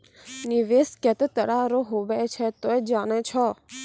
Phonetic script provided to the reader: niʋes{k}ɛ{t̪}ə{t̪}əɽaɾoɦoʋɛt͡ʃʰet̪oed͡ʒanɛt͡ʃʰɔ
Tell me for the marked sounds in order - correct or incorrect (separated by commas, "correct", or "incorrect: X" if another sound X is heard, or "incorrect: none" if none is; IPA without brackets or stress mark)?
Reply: correct, correct, correct